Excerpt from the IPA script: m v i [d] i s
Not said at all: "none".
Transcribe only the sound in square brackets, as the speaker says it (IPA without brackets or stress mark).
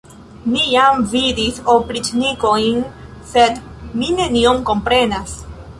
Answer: d